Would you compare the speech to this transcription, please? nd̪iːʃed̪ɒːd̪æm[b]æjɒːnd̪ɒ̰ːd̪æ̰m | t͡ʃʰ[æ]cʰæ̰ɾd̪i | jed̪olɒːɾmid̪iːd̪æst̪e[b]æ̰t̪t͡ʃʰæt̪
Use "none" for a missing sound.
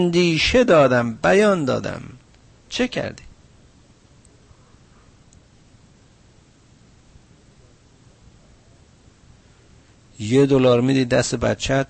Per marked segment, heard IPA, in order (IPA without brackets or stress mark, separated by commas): b, e, b